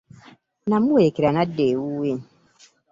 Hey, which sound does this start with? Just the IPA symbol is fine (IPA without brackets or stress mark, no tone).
n